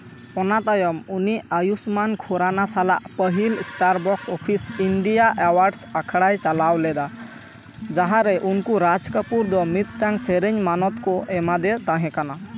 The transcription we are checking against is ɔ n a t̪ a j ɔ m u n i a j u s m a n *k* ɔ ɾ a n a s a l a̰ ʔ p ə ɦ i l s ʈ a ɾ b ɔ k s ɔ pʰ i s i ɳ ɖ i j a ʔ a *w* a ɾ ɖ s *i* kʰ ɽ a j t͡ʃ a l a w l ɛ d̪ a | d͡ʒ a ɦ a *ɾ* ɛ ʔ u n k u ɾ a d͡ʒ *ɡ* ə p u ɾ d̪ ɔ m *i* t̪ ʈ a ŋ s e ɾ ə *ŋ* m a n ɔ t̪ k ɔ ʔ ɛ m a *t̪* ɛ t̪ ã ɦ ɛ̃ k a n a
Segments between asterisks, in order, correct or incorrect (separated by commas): incorrect, correct, incorrect, correct, incorrect, correct, incorrect, incorrect